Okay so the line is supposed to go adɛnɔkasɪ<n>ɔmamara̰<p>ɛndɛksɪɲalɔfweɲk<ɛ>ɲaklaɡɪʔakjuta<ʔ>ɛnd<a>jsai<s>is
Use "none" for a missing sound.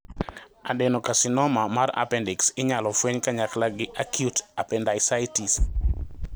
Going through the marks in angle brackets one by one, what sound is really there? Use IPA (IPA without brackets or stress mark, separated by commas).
n, p, a, p, a, t